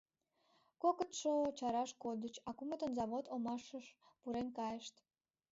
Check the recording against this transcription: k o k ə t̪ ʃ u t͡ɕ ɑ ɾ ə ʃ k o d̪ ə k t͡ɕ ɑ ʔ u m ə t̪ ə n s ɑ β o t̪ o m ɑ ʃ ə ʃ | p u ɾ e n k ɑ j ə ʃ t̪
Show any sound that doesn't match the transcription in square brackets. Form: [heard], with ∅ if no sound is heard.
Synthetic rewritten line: k o k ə t̪ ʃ [o] t͡ɕ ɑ ɾ [ɑ] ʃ k o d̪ ə [∅] t͡ɕ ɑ [k] u m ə t̪ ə n [z] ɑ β o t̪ o m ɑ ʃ ə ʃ | p u ɾ e n k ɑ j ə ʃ t̪